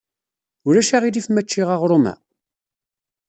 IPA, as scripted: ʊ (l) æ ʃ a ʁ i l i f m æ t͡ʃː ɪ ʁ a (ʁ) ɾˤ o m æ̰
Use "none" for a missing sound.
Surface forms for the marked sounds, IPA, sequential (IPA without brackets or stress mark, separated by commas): ɾ, ʁ